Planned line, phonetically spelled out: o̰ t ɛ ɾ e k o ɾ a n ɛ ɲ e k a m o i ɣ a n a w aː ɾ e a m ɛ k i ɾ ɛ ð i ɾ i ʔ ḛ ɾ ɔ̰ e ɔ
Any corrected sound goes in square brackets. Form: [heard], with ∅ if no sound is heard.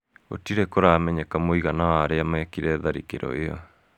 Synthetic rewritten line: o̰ t [i] ɾ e k o ɾ a [m] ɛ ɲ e k a m o i ɣ a n a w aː ɾ e a m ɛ k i ɾ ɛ ð [a] ɾ i [k] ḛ ɾ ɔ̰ e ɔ